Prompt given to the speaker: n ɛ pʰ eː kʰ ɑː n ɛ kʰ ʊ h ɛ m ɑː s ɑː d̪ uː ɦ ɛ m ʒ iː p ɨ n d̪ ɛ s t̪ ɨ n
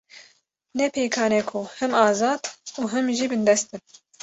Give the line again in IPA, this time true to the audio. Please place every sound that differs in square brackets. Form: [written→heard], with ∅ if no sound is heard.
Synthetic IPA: n ɛ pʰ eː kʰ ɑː n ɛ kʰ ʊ h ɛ m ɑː [s→z] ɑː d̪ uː ɦ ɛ m ʒ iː [p→b] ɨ n d̪ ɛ s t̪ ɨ n